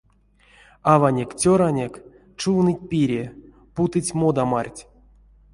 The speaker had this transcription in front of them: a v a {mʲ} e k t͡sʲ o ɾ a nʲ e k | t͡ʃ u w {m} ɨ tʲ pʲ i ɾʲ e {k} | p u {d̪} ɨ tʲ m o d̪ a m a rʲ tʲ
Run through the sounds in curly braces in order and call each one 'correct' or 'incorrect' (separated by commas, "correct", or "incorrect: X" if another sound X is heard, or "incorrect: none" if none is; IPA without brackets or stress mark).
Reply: incorrect: nʲ, incorrect: n, incorrect: none, incorrect: t̪